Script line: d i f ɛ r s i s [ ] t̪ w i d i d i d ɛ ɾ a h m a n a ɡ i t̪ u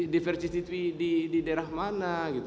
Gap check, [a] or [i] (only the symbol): i